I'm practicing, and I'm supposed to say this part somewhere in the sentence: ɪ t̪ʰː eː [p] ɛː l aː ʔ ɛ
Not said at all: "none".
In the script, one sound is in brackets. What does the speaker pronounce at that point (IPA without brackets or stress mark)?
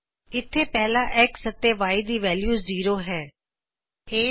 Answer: p